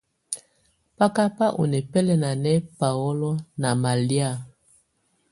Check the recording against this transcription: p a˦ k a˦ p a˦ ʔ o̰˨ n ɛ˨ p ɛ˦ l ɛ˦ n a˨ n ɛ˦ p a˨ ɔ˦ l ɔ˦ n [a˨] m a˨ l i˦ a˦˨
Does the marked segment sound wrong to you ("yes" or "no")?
no